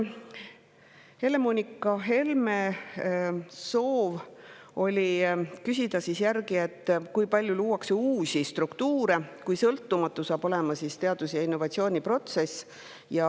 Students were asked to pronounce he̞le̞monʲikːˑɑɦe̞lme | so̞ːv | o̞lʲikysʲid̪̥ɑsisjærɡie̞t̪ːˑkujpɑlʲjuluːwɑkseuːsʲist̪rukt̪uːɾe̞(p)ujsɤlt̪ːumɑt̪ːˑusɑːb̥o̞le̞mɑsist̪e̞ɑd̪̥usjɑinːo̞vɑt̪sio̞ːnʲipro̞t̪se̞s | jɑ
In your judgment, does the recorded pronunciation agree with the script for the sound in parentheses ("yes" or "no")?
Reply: no